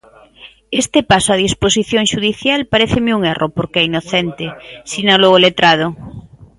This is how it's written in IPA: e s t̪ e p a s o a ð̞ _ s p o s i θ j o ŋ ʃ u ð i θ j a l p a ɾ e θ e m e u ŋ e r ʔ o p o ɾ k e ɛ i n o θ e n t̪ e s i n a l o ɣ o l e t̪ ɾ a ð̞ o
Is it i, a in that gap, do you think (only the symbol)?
i